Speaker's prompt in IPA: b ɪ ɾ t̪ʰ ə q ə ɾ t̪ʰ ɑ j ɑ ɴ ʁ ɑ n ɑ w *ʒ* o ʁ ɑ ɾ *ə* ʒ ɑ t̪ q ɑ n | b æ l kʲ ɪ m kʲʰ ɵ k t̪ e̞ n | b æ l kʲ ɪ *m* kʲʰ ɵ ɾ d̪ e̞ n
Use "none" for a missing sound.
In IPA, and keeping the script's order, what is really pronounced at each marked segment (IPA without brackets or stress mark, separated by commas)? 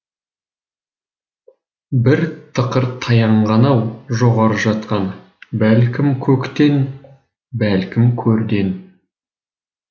ʒ, ə, m